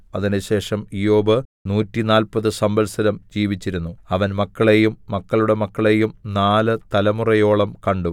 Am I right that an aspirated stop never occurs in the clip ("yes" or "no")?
yes